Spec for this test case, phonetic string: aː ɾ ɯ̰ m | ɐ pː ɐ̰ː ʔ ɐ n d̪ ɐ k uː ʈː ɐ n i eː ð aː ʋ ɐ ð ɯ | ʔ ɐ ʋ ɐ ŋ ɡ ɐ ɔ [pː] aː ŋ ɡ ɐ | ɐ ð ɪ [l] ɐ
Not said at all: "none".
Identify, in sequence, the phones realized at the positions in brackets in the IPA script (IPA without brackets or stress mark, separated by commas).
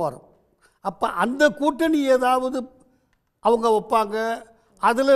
pː, l